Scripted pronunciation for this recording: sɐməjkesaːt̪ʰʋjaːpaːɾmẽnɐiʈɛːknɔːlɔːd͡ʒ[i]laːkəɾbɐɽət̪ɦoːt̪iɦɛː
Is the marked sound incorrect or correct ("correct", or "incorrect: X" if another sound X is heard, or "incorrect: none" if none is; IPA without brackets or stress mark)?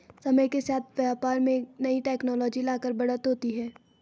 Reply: correct